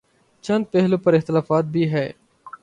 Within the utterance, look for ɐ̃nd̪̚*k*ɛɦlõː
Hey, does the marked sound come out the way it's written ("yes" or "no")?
no